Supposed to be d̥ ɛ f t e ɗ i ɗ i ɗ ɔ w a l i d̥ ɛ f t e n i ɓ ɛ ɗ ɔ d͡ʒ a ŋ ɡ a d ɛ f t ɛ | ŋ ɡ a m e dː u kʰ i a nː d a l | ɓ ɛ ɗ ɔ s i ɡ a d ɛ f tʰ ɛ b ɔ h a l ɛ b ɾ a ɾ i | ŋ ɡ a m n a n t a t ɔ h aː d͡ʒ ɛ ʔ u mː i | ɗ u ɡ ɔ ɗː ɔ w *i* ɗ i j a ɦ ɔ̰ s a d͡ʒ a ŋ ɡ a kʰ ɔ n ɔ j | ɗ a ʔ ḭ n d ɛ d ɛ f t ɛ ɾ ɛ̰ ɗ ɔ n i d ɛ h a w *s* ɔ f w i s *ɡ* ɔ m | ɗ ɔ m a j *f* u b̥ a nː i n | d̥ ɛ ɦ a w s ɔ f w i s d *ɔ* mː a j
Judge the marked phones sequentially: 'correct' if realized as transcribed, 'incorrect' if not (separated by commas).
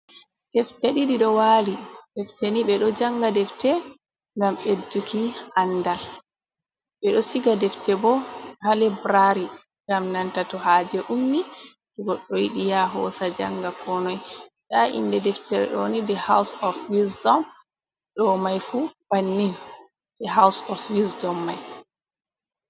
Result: correct, correct, incorrect, correct, correct